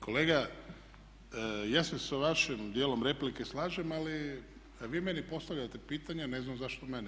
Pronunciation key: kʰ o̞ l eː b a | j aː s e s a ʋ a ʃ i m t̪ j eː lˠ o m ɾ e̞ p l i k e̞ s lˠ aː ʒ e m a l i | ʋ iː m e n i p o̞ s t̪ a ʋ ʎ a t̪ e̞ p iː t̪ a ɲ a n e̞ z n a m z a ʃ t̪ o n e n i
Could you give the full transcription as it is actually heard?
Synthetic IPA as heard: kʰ o̞ l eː ɡ a | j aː s e s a ʋ a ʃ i m d̪ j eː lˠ o m ɾ e̞ p l i k e̞ s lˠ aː ʒ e m a l i | ʋ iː m e n i p o̞ s t̪ a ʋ ʎ a t̪ e̞ p iː t̪ a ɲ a n e̞ z n a m z a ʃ t̪ o m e n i